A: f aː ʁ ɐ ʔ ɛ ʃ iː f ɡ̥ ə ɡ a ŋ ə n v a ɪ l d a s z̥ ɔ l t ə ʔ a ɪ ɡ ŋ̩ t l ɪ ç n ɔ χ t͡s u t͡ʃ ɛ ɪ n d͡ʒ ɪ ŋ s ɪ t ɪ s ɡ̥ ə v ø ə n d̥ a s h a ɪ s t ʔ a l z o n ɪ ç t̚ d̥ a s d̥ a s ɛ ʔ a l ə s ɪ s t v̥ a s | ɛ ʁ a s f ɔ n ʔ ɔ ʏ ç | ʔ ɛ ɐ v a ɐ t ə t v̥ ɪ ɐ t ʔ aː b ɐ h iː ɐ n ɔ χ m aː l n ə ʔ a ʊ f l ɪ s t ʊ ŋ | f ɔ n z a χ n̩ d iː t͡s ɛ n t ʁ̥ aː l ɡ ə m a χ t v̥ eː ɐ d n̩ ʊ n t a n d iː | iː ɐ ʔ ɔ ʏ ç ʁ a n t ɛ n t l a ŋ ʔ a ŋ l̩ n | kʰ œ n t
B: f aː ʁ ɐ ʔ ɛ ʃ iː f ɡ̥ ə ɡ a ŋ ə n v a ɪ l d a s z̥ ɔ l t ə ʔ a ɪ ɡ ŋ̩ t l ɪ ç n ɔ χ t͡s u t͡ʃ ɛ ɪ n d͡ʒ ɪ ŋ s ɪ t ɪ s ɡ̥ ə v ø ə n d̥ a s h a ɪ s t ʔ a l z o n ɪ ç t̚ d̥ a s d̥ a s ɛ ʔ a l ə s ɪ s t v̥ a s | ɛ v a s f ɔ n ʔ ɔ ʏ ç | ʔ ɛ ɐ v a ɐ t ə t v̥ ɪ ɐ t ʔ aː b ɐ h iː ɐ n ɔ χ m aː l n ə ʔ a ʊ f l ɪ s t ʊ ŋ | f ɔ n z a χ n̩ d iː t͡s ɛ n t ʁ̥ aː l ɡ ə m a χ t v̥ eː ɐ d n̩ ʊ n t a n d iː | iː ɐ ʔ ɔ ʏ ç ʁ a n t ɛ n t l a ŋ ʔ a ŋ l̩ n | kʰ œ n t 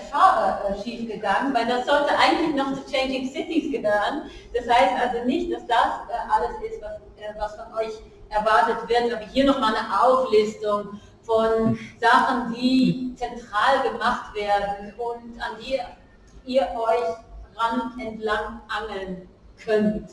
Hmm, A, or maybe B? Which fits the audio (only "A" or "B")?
B